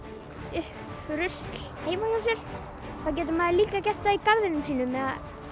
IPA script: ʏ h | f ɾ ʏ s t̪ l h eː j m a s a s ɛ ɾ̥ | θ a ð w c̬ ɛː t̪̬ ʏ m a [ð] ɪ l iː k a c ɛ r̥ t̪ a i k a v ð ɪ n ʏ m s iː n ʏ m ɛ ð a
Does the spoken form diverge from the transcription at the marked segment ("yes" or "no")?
no